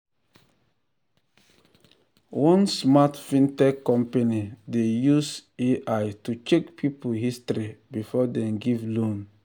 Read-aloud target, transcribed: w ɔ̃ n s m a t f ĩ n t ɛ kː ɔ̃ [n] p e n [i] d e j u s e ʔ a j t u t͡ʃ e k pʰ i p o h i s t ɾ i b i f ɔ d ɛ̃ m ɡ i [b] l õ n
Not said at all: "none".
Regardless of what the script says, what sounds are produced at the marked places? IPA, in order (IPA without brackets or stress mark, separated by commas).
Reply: m, i, v